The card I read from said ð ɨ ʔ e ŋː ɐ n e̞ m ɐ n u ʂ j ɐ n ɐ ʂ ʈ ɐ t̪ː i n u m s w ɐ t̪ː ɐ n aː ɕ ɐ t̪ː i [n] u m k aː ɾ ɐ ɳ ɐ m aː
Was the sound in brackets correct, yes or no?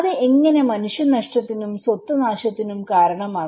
yes